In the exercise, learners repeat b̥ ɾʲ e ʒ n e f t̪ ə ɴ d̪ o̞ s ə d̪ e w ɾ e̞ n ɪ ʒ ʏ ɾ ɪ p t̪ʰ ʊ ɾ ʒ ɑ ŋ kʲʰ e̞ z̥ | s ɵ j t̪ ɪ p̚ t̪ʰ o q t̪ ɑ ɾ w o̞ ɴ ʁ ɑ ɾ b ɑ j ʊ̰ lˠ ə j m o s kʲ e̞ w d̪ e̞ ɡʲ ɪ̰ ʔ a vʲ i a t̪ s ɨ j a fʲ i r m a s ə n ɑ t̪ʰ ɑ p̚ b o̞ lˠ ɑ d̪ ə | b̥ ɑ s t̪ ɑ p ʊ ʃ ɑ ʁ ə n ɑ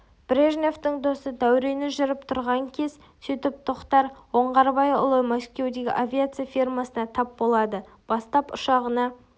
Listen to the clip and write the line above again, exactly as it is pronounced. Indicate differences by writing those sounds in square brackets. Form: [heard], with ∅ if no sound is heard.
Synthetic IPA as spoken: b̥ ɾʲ e ʒ n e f t̪ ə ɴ d̪ o̞ s ə d̪ [æ] w ɾ e̞ n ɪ ʒ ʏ ɾ ɪ p t̪ʰ ʊ ɾ [ʁ] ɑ ŋ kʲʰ e̞ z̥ | s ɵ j t̪ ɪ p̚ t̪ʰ o q t̪ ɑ ɾ w o̞ ɴ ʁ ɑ ɾ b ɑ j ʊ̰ lˠ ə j m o s kʲ e̞ w d̪ e̞ ɡʲ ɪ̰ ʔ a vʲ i a t̪ s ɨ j a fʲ i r m a s ə n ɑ t̪ʰ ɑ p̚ b o̞ lˠ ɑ d̪ ə | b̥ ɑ s t̪ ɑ p ʊ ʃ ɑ ʁ ə n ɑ